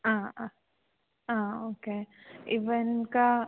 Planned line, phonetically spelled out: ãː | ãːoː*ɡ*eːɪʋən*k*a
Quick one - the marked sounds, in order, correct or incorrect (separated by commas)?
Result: incorrect, correct